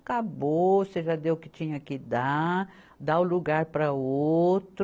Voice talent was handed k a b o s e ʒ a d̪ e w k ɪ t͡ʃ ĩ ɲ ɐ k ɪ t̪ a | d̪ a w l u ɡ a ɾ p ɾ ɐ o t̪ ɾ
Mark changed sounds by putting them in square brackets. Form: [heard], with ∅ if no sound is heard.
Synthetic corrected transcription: k a b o s e ʒ a d̪ e w k ɪ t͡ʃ ĩ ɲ ɐ k ɪ [d̪] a | d̪ a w l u ɡ a ɾ p ɾ ɐ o t̪ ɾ